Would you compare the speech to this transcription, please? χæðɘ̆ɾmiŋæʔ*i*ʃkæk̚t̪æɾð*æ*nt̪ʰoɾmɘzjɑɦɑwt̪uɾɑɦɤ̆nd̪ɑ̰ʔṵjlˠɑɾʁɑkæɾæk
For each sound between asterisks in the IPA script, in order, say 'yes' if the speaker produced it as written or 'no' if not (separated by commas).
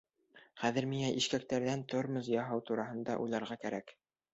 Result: yes, yes